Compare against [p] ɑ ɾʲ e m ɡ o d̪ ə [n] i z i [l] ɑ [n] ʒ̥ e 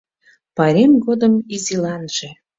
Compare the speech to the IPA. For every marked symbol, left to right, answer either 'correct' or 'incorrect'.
correct, incorrect, correct, correct

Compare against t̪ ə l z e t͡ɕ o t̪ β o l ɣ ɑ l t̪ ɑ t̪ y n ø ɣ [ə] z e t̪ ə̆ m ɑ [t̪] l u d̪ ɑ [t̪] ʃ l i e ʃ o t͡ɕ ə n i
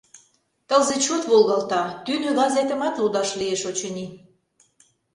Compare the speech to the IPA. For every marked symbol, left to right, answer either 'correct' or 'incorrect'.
incorrect, correct, incorrect

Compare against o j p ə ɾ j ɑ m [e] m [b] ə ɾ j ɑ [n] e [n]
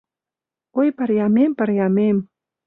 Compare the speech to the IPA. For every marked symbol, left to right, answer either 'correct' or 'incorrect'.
correct, incorrect, incorrect, incorrect

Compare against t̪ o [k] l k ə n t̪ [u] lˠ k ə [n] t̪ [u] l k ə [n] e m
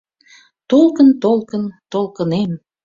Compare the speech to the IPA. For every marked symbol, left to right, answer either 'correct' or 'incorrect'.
incorrect, incorrect, correct, incorrect, correct

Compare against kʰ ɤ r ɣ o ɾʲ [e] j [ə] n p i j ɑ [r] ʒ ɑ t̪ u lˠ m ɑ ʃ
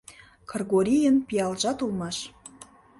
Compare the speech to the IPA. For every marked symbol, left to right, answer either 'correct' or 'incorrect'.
incorrect, correct, incorrect

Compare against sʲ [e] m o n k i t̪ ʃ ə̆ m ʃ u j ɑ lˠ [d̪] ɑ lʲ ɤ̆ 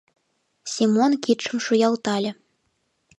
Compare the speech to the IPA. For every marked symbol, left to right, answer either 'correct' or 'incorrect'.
incorrect, incorrect

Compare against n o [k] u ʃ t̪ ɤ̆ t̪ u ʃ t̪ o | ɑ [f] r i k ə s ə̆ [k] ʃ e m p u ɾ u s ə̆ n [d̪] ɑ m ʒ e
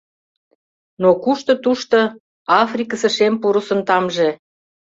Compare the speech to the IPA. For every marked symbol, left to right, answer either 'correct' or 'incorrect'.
correct, correct, incorrect, incorrect

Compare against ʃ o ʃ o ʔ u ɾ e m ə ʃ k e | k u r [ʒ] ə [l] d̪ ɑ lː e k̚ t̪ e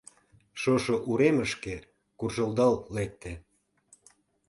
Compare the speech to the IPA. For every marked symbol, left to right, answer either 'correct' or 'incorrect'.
correct, correct

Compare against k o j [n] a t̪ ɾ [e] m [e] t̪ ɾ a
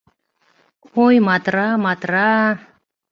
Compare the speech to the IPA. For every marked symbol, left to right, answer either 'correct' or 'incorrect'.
incorrect, incorrect, incorrect

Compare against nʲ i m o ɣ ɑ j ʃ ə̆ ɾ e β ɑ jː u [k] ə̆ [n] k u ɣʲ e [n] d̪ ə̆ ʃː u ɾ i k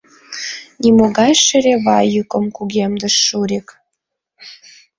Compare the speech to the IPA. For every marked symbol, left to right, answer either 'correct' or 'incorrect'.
correct, incorrect, incorrect

